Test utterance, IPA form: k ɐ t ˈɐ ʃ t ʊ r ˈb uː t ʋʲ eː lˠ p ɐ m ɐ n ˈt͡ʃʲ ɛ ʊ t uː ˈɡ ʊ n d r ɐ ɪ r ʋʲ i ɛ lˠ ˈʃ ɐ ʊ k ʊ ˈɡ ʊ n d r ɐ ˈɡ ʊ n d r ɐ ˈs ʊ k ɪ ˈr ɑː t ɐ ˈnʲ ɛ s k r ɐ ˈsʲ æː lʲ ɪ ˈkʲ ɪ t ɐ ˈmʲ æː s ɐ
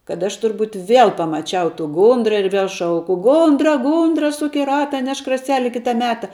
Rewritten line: k ɐ t ˈɐ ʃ t ʊ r ˈb uː t ʋʲ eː lˠ p ɐ m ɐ ˈt͡ʃʲ ɛ ʊ t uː ˈɡ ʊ n d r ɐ ɪ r ʋʲ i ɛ lˠ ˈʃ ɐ ʊ k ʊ ˈɡ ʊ n d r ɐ ˈɡ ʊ n d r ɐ ˈs ʊ k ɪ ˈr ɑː t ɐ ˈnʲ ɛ ʃ k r ɐ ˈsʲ æː lʲ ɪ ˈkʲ ɪ t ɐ ˈmʲ æː t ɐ